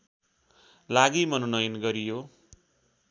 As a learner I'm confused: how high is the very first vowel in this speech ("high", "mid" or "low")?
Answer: low